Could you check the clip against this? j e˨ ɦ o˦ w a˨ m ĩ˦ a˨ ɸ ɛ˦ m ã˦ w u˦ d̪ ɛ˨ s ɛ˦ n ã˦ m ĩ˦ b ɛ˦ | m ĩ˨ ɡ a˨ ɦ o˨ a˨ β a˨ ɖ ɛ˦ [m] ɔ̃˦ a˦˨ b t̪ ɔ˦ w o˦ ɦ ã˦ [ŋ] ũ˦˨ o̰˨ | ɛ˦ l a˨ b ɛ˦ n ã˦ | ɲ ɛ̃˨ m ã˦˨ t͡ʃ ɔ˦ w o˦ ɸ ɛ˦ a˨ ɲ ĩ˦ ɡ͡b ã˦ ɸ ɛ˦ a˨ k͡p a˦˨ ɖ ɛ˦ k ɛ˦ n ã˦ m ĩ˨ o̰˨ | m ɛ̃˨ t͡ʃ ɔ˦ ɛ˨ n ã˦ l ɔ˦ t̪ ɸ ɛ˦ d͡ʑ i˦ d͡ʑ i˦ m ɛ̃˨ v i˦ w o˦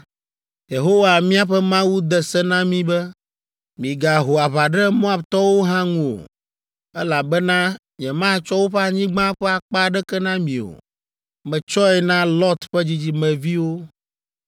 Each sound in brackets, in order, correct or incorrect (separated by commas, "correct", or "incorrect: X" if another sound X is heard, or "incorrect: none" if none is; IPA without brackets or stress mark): correct, correct